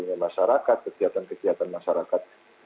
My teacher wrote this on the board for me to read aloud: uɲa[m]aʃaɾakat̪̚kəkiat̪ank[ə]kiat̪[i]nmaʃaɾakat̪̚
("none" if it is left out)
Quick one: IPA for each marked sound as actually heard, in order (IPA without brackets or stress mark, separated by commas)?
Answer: m, ə, a